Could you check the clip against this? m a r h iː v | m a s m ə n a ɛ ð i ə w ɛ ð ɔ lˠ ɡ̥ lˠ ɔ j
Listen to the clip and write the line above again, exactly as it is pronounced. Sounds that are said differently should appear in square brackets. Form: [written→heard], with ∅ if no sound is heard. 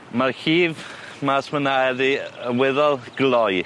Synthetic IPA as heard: m a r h iː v | m a s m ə n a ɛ ð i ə w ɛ ð ɔ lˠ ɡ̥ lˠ ɔ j